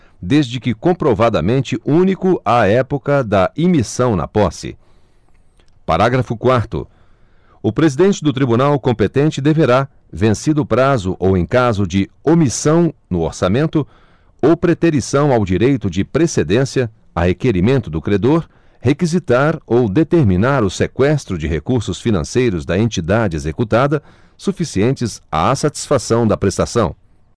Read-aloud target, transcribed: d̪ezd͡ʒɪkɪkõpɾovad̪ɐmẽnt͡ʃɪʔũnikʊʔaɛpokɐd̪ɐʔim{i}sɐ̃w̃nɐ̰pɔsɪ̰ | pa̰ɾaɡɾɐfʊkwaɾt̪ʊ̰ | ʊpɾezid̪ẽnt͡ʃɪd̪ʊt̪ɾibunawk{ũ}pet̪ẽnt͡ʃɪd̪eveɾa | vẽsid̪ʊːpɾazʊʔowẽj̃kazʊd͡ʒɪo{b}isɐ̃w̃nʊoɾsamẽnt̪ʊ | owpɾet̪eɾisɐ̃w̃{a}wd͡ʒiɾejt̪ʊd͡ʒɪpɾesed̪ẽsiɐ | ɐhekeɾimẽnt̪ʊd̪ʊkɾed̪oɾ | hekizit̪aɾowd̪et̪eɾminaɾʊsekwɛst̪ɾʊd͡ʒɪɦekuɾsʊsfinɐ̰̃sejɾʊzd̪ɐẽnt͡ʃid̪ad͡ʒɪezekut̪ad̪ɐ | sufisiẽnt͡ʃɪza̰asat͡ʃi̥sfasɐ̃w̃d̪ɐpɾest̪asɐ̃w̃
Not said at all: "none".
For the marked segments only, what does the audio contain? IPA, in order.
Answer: i, õ, m, a

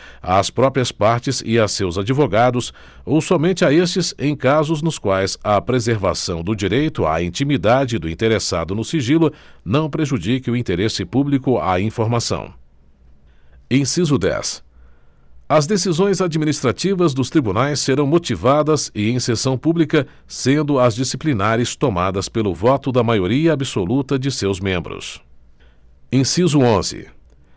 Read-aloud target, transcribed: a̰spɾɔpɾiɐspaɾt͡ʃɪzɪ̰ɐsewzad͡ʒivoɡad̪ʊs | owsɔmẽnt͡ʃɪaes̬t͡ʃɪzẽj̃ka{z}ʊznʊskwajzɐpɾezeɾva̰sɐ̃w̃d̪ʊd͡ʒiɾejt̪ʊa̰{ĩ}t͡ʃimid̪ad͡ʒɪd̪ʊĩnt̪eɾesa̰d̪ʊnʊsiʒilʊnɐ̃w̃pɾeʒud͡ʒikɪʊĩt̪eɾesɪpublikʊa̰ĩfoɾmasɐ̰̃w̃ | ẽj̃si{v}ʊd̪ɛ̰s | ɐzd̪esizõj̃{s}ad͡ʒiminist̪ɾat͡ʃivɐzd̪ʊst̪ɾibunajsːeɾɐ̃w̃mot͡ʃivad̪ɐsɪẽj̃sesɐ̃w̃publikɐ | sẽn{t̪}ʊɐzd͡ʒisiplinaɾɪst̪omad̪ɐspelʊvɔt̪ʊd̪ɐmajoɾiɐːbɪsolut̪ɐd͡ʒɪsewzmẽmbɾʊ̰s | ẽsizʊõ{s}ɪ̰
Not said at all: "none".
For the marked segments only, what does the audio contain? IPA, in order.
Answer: z, ĩ, z, z, d̪, z

